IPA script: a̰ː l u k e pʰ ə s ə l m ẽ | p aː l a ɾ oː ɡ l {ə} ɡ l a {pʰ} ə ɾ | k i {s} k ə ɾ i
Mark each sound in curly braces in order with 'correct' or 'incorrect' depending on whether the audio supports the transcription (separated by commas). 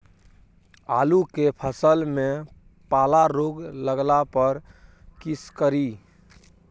correct, incorrect, correct